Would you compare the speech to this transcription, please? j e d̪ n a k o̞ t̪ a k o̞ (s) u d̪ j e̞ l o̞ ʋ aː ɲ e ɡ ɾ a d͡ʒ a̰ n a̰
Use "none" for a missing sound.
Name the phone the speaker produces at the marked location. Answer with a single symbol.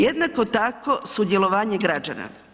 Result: s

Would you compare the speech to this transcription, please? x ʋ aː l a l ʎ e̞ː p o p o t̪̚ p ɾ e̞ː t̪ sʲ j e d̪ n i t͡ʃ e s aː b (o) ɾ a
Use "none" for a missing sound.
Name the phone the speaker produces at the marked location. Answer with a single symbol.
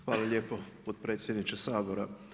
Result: o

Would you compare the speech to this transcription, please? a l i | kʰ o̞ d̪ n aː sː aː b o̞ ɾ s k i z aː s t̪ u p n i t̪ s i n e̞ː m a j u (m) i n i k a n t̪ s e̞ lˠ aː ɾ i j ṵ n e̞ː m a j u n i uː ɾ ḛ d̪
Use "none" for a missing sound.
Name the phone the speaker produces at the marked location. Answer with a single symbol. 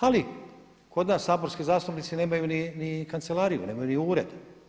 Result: n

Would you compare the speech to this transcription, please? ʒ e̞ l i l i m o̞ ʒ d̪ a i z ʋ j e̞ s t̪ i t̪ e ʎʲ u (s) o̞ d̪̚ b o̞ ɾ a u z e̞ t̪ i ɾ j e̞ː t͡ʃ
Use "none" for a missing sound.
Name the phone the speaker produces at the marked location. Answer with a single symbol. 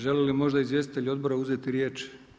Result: none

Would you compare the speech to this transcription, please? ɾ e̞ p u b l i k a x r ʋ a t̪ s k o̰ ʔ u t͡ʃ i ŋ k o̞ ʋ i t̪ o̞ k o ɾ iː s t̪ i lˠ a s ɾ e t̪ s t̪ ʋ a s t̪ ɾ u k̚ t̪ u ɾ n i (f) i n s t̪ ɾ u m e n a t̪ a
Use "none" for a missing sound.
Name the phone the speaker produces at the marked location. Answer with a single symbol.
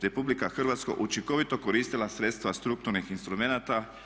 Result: x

